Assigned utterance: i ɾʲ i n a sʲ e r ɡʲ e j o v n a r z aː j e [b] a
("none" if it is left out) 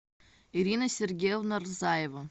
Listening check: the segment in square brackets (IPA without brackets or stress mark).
v